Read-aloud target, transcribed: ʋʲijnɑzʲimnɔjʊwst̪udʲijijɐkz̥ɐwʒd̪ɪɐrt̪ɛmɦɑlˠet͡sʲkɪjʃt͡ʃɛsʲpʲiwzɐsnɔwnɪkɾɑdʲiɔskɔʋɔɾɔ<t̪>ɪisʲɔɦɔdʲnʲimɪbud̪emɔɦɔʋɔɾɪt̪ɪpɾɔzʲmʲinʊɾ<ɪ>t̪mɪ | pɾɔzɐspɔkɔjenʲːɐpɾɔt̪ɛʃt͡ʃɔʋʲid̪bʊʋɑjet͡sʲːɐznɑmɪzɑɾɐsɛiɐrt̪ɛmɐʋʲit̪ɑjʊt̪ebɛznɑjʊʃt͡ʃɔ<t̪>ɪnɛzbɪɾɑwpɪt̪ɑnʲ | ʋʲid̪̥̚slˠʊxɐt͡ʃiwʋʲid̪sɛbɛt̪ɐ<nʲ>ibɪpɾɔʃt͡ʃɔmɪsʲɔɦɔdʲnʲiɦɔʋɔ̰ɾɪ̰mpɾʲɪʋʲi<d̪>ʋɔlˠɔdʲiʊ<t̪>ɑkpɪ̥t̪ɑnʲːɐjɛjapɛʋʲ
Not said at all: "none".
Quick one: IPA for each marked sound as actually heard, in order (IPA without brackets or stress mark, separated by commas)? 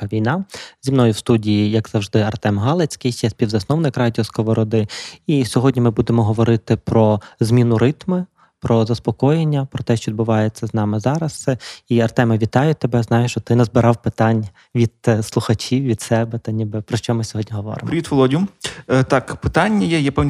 d̪, ɪ, t̪, nʲ, t̪, t̪